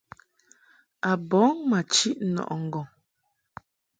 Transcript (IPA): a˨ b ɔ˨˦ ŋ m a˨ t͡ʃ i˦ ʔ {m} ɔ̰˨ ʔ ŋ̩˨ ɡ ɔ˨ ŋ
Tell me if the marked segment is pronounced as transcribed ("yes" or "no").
no